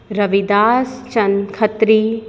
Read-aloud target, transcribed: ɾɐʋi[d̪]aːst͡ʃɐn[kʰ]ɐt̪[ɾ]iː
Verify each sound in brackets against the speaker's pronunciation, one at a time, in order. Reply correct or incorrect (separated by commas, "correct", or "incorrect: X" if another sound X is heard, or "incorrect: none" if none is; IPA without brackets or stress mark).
correct, correct, correct